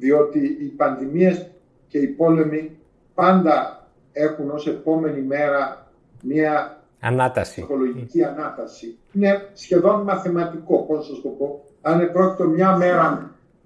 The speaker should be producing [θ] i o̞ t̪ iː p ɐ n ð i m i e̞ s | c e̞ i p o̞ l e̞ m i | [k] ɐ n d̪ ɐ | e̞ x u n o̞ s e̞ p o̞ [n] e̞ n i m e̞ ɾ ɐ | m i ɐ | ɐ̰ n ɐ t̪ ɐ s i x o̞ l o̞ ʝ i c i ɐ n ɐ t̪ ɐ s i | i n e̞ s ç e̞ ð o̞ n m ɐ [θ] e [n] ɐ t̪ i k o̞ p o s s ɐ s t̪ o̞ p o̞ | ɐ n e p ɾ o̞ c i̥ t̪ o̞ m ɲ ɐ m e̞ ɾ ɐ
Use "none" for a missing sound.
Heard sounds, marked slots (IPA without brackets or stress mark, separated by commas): ð, p, m, θ, m